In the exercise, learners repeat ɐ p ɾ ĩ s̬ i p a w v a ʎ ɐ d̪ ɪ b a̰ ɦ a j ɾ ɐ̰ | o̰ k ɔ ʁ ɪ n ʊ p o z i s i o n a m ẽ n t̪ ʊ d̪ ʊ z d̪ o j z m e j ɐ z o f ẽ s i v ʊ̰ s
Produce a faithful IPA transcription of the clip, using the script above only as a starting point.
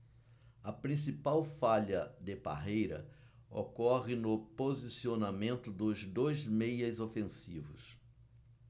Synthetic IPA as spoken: ɐ p ɾ ĩ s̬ i p a w f a ʎ ɐ d̪ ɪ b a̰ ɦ e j ɾ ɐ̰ | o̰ k ɔ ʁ ɪ n ʊ p o z i s i o n a m ẽ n t̪ ʊ d̪ ʊ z d̪ o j z m e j ɐ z o f ẽ s i v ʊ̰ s

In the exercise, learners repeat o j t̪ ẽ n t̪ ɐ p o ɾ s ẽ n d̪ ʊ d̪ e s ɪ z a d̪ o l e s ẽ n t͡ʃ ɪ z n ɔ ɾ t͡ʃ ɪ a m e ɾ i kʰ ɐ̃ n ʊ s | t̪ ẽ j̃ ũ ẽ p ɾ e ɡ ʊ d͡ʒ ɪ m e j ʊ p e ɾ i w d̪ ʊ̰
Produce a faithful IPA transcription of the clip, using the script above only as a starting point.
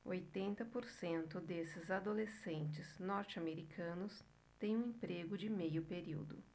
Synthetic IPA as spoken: o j t̪ ẽ n t̪ ɐ p o ɾ s ẽ n t̪ ʊ d̪ e s ɪ z a d̪ o l e s ẽ n t͡ʃ ɪ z n ɔ ɾ t͡ʃ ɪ a m e ɾ i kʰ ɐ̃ n ʊ s | t̪ ẽ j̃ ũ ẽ p ɾ e ɡ ʊ d͡ʒ ɪ m e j ʊ p e ɾ i w d̪ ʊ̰

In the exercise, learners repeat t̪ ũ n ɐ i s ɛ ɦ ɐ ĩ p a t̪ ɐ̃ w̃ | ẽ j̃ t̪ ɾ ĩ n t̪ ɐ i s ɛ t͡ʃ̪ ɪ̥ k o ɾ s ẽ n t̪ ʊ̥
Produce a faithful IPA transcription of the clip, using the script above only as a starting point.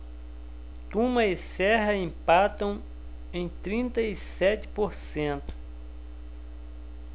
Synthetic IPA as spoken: t̪ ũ m ɐ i s ɛ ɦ ɐ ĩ p a t̪ ɐ̃ w̃ | ẽ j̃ t̪ ɾ ĩ n t̪ ɐ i s ɛ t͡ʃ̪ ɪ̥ p o ɾ s ẽ n t̪ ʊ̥

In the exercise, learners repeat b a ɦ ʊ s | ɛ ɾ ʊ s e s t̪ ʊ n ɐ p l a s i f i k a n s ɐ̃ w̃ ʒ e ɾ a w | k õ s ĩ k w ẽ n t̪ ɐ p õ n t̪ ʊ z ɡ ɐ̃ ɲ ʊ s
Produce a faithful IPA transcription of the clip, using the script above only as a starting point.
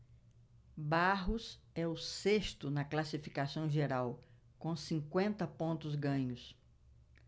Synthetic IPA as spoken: b a ɦ ʊ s | ɛ ʊ s e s t̪ ʊ n ɐ k l a s i f i k a s ɐ̃ w̃ ʒ e ɾ a w | k õ s ĩ k w ẽ n t̪ ɐ p õ n t̪ ʊ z ɡ ɐ̃ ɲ ʊ s

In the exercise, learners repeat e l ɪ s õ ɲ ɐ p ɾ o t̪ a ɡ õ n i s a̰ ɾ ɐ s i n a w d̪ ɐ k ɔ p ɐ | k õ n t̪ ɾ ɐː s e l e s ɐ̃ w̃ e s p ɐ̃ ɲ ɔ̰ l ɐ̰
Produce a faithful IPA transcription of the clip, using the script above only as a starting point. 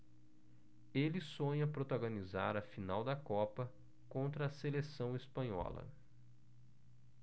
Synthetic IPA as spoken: e l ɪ s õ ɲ ɐ p ɾ o t̪ a ɡ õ n i z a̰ ɾ ɐ f i n a w d̪ ɐ k ɔ p ɐ | k õ n t̪ ɾ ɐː s e l e s ɐ̃ w̃ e s p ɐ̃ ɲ ɔ̰ l ɐ̰

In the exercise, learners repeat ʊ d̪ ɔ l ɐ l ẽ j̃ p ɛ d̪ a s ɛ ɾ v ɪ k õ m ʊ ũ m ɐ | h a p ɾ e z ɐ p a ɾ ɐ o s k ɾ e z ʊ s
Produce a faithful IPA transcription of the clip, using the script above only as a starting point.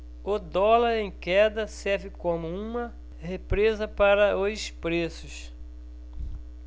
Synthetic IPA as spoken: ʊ d̪ ɔ l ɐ ɾ ẽ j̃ k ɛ d̪ ɐ s ɛ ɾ v ɪ k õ m ʊ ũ m ɐ | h e p ɾ e z ɐ p a ɾ ɐ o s p ɾ e s ʊ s

